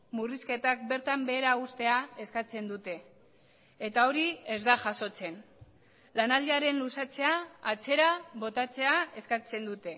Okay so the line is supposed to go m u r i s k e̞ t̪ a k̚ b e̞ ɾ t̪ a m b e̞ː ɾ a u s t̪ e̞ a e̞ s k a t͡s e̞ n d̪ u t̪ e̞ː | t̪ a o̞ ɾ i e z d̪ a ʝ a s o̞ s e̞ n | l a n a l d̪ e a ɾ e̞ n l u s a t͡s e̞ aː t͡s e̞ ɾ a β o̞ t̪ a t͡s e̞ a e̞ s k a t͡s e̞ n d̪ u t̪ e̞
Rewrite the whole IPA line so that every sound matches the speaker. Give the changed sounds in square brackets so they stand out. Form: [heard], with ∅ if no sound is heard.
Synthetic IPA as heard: m u r i s k e̞ t̪ a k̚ b e̞ ɾ t̪ a m b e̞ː ɾ a u s t̪ e̞ a e̞ s k a t͡s e̞ n d̪ u t̪ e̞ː | t̪ a o̞ ɾ i e z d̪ a ʝ a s o̞ [t͡s] e̞ n | l a n a l d̪ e a ɾ e̞ n l u s a t͡s e̞ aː t͡s e̞ ɾ a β o̞ t̪ a t͡s e̞ a e̞ s k a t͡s e̞ n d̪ u t̪ e̞